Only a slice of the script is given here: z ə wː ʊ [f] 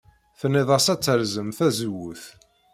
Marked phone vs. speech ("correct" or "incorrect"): incorrect